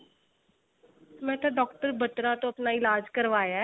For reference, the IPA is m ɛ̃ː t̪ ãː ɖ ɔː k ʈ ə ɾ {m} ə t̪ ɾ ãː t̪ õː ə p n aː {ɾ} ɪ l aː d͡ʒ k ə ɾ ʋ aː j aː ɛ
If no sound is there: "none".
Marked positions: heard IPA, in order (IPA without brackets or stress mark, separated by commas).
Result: b, none